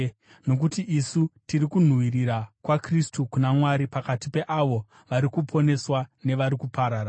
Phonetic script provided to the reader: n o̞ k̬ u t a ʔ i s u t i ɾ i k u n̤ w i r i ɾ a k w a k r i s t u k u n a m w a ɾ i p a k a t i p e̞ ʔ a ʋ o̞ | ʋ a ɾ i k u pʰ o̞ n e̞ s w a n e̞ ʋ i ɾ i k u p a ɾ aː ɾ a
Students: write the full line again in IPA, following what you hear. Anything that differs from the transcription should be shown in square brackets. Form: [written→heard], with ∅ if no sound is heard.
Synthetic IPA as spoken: n o̞ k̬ u t [a→i] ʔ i s u t i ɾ i k u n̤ w i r i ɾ a k w a k r i s t u k u n a m w a ɾ i p a k a t i p e̞ ʔ a ʋ o̞ | ʋ a ɾ i k u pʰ o̞ n e̞ s w a n e̞ ʋ [i→a] ɾ i k u p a ɾ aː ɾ a